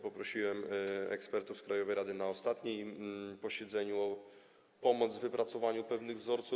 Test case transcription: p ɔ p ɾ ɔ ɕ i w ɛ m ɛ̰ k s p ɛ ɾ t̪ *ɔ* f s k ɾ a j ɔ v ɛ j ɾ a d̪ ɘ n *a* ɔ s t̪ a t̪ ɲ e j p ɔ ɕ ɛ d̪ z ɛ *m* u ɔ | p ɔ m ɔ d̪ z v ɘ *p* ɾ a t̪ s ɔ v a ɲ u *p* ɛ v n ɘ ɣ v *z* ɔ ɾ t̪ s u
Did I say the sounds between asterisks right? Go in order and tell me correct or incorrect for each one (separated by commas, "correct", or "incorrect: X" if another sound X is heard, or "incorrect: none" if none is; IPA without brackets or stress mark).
incorrect: u, correct, incorrect: ɲ, correct, correct, correct